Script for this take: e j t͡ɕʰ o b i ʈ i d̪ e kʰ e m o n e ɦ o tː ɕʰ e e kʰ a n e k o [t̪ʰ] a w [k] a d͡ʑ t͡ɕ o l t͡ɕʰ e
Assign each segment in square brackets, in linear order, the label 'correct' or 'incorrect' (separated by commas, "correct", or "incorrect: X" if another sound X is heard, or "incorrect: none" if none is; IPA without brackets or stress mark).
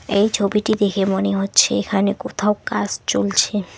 correct, correct